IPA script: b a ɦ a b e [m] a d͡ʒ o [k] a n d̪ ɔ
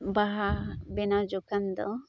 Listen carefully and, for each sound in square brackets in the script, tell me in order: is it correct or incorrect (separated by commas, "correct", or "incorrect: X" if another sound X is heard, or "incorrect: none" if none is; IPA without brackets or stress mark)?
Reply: incorrect: n, correct